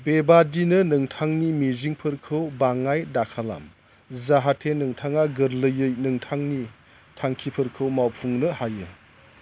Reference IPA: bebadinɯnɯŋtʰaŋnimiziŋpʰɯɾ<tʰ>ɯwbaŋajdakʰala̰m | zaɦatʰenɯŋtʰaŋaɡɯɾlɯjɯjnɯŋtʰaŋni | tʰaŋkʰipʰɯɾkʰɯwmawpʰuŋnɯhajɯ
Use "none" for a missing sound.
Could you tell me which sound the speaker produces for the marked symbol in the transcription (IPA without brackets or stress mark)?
kʰ